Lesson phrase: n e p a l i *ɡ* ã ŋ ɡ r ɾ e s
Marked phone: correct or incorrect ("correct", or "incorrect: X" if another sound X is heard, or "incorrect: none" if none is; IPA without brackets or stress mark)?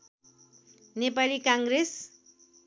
incorrect: k